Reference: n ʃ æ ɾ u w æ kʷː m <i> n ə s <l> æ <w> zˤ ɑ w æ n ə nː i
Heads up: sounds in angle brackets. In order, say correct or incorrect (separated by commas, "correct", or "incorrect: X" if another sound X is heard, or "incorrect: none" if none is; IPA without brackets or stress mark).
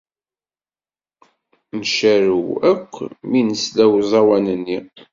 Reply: correct, correct, correct